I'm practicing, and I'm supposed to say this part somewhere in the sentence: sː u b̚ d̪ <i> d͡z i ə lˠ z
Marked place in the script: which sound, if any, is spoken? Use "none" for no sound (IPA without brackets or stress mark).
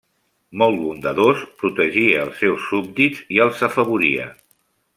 i